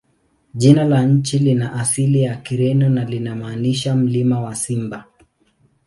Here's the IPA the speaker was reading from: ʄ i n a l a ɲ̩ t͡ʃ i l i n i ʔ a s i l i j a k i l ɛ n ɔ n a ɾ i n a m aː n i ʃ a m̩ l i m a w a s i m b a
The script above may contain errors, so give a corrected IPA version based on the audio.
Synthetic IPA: ʄ i n a l a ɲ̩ t͡ʃ i l i n a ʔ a s i l i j a k i ɾ ɛ n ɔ n a l i n a m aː n i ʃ a m̩ l i m a w a s i m b a